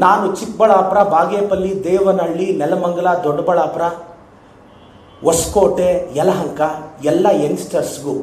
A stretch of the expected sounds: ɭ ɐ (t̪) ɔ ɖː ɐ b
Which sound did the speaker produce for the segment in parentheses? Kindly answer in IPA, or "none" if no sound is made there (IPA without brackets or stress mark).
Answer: d̪